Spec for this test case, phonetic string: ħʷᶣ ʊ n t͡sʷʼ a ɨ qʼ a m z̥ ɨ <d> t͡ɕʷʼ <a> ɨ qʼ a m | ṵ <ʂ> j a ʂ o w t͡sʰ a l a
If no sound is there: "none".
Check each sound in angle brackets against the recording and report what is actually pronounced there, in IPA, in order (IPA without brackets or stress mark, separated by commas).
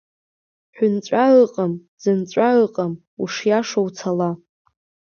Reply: n, a, ʂ